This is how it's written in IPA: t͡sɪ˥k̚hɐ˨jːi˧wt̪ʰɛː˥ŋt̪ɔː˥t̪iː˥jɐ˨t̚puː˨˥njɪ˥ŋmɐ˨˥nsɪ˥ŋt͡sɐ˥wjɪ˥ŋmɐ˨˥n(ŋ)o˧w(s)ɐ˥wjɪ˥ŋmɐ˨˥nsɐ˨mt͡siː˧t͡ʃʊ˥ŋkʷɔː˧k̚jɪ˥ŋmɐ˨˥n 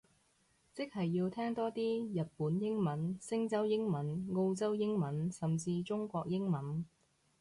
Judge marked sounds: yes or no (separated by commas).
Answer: yes, no